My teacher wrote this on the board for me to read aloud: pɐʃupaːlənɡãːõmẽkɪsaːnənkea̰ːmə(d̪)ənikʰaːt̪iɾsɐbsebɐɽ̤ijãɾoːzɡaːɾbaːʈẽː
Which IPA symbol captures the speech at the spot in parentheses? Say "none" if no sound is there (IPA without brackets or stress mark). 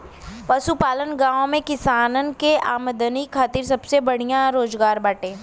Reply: d̪